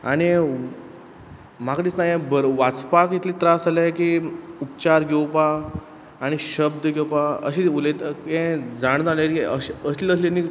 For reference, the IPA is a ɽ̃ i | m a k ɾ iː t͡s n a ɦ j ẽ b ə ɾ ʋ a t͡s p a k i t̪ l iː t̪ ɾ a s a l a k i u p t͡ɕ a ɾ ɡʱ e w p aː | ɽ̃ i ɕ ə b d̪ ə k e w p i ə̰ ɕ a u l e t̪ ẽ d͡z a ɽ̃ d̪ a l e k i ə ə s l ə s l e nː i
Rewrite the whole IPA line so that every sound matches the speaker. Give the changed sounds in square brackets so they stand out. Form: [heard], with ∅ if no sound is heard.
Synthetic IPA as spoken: a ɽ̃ i | m a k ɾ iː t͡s n a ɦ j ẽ b ə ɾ ʋ a t͡s p a k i t̪ l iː t̪ ɾ a s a l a k i u p t͡ɕ a ɾ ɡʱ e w p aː | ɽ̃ i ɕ ə b d̪ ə [ɡ] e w p [a] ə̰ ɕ [i] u l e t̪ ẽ d͡z a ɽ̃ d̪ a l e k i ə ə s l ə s l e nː i